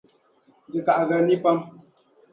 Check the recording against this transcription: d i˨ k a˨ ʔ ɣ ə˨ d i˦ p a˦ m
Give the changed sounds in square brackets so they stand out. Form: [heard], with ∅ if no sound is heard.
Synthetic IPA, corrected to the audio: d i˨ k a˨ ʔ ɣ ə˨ [n] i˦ p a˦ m